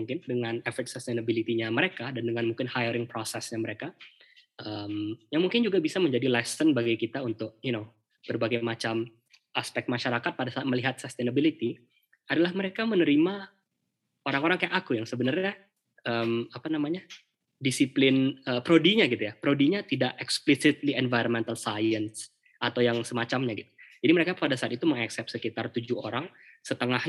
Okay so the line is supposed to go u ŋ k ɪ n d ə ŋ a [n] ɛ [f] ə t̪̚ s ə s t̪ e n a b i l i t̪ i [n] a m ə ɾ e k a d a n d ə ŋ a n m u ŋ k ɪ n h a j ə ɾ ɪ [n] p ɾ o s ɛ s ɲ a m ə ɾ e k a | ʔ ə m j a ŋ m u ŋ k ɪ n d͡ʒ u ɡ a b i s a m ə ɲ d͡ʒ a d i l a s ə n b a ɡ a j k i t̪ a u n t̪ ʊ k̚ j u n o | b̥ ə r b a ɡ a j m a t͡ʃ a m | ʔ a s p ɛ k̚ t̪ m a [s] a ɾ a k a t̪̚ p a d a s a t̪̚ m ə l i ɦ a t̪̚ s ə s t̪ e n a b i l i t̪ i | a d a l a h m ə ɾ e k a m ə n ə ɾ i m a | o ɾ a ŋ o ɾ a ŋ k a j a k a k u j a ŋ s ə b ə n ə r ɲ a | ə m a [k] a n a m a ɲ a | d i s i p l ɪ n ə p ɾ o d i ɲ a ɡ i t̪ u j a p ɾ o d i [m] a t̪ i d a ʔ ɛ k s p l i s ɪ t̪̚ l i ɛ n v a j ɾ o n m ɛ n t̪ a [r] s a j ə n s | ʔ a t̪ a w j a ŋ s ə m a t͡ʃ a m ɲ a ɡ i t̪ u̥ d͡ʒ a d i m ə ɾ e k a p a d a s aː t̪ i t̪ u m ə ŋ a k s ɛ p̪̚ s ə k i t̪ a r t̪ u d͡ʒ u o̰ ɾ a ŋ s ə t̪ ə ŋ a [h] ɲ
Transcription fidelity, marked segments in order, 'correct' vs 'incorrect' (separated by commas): correct, correct, incorrect, incorrect, incorrect, incorrect, incorrect, incorrect, correct